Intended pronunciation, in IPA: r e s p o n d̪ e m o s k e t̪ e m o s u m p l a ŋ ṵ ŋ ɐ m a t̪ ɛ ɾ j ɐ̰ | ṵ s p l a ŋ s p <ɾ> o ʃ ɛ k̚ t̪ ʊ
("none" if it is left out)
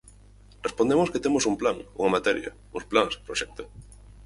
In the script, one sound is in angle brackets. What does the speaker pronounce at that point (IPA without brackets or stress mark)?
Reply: ɾ